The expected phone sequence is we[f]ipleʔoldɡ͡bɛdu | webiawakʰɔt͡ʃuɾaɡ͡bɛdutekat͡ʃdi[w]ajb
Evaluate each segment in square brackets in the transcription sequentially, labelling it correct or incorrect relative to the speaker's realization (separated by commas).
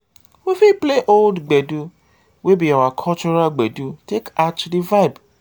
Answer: correct, incorrect